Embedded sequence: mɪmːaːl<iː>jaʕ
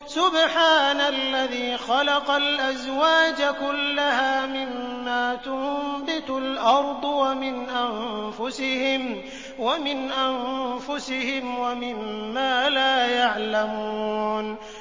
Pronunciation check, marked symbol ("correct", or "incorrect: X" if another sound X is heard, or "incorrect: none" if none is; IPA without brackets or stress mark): incorrect: aː